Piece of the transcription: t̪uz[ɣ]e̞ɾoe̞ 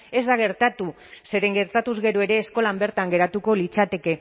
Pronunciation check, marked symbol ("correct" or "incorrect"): correct